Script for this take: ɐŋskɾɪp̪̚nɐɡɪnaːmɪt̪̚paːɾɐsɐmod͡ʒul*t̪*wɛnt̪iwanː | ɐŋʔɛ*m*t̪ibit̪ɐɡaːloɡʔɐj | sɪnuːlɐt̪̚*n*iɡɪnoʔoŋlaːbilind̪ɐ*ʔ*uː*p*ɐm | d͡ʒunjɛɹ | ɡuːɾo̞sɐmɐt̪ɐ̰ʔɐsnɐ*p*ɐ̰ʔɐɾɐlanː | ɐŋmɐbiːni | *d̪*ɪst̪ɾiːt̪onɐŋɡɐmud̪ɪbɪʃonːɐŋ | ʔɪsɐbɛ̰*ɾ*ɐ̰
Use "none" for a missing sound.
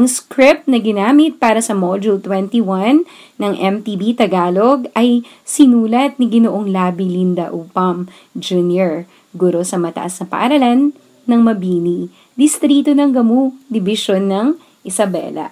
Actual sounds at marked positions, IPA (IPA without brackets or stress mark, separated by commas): t̪, m, n, ʔ, p, p, d̪, l